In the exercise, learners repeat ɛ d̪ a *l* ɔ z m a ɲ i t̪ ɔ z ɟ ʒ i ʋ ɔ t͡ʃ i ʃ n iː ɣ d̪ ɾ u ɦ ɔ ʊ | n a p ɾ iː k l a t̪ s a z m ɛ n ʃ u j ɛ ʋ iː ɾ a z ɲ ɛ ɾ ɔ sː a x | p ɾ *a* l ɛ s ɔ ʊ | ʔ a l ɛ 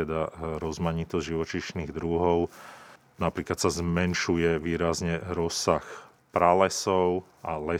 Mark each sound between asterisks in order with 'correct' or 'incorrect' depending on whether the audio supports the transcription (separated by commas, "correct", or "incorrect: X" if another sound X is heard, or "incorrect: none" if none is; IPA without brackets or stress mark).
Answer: incorrect: ɾ, correct